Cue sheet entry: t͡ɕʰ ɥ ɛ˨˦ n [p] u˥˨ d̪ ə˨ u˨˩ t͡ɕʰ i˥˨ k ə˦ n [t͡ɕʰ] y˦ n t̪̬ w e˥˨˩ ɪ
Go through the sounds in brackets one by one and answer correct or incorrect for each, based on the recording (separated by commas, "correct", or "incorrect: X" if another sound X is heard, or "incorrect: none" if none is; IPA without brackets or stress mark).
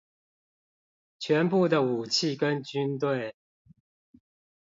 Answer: correct, incorrect: t͡ɕ